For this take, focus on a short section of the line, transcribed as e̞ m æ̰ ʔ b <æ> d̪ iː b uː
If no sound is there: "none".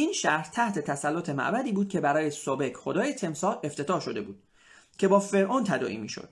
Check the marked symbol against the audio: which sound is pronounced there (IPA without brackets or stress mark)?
æ